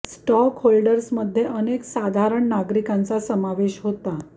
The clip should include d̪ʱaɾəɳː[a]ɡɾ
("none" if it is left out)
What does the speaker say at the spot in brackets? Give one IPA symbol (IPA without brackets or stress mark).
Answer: a